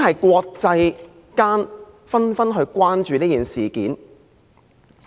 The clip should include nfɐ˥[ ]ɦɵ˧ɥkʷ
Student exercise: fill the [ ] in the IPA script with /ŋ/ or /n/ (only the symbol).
n